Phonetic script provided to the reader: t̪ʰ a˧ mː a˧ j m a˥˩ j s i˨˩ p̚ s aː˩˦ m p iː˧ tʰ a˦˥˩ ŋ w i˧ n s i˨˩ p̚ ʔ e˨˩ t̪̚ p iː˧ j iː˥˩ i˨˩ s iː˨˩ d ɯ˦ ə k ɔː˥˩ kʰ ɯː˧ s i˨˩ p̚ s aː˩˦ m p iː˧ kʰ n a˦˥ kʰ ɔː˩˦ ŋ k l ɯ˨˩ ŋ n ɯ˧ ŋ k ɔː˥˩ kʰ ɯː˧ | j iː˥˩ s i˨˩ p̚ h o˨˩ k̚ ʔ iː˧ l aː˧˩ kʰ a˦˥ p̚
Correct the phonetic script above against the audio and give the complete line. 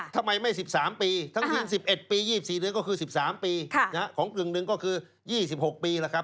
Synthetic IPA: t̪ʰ a˧ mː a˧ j m a˥˩ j s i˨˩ p̚ s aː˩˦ m p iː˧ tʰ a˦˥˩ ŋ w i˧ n s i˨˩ p̚ ʔ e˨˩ t̪̚ p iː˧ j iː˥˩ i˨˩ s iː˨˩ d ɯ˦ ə k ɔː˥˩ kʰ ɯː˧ s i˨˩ p̚ s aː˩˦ m p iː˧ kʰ n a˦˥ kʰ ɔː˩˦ ŋ k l ɯ˨˩ ŋ n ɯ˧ ŋ k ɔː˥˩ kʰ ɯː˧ | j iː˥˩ s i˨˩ p̚ h o˨˩ k̚ p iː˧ l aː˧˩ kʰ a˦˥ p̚